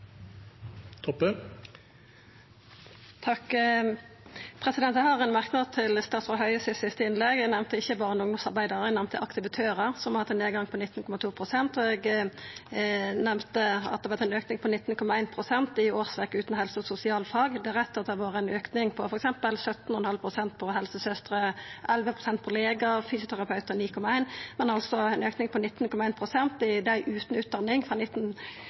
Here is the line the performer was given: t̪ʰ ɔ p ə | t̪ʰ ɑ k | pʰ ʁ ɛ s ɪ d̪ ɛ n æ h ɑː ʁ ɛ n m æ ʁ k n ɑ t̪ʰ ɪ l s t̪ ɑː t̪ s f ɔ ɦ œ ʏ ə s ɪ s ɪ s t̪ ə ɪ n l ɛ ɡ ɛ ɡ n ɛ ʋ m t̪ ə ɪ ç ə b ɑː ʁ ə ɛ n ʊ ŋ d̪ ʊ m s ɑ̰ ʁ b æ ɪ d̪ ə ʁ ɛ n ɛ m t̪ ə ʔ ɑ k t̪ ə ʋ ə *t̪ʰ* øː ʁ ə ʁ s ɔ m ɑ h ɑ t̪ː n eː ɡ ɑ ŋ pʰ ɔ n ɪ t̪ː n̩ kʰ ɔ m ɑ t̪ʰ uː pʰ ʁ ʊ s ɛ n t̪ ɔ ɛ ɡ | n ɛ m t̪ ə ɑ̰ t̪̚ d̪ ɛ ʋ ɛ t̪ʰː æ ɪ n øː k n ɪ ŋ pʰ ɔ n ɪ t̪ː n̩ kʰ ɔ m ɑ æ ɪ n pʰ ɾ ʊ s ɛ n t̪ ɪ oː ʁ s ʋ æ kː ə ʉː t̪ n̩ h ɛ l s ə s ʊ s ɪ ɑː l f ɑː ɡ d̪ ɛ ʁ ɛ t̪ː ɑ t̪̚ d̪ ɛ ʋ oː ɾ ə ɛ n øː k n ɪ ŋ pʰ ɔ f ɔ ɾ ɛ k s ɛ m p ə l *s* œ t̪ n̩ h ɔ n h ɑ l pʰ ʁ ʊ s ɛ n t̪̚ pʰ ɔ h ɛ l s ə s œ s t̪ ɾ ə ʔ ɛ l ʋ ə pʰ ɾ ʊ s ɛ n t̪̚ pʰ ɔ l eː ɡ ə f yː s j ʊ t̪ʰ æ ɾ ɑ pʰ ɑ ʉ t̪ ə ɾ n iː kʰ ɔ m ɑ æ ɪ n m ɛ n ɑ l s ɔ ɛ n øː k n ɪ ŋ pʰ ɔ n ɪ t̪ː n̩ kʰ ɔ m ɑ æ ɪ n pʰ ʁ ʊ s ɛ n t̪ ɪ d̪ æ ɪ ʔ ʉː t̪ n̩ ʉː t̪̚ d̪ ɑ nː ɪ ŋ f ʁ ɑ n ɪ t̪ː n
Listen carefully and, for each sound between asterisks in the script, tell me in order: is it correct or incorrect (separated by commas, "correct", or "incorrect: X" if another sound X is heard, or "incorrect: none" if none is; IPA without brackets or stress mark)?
correct, correct